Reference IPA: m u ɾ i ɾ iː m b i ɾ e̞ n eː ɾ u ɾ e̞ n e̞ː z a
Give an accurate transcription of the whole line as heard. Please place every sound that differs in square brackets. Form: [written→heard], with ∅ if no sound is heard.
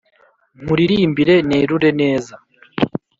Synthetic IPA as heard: m u ɾ i ɾ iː m b i ɾ e̞ n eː ɾ u ɾ e̞ n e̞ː z a